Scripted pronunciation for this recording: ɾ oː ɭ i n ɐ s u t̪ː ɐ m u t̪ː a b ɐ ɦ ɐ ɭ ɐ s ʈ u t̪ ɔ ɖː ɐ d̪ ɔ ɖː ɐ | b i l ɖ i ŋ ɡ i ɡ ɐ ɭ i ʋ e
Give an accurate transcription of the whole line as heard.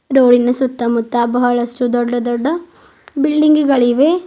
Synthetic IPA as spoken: ɾ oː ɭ i n ɐ s u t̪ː ɐ m u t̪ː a b ɐ ɦ ɐ ɭ ɐ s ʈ u d̪ ɔ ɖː ɐ d̪ ɔ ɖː ɐ | b i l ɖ i ŋ ɡ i ɡ ɐ ɭ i ʋ e